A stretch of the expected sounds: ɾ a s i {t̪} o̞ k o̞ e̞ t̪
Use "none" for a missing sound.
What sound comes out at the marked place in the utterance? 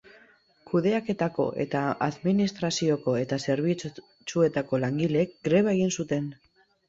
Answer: none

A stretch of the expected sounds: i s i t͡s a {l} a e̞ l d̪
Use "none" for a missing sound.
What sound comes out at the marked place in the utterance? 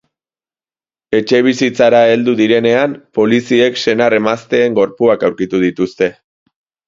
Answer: ɾ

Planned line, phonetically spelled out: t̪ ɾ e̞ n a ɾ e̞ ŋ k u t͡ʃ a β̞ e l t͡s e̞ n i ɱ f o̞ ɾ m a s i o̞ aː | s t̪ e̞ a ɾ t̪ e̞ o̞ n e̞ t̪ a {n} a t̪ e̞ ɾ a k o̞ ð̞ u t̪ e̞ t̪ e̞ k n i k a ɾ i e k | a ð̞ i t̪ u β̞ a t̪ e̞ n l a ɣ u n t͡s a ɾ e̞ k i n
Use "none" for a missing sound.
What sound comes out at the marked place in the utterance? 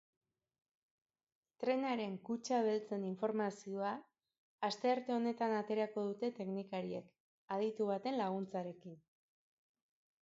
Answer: n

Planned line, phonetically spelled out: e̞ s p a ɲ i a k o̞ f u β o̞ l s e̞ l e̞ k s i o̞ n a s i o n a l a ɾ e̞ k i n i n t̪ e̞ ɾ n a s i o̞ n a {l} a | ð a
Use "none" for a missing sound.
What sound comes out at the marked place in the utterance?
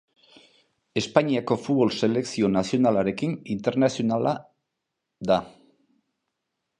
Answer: l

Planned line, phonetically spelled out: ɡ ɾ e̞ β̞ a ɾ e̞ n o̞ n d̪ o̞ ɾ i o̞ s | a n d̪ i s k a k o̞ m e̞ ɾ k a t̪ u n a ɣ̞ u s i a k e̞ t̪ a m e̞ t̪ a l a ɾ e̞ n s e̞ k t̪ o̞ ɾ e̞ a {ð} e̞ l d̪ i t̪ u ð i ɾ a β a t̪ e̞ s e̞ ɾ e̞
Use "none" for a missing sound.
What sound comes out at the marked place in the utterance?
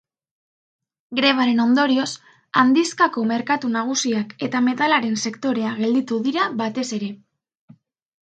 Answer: ɣ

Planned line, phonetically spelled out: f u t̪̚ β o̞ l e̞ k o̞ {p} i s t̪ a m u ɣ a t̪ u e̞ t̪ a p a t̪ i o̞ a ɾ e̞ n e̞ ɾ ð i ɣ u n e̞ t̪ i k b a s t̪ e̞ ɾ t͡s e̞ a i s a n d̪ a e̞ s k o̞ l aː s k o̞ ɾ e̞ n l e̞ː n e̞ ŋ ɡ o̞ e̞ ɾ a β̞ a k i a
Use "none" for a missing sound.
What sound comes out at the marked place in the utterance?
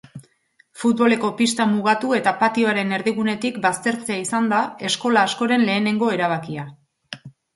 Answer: p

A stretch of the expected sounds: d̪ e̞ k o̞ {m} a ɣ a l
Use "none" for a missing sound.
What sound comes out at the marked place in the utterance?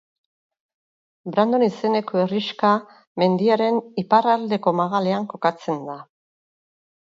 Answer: m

